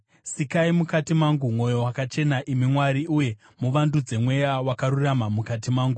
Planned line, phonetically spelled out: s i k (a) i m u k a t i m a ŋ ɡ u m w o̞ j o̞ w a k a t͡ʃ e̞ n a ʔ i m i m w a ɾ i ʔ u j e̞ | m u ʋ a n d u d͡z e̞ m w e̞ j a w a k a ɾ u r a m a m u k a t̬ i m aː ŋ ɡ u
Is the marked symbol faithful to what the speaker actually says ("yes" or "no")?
yes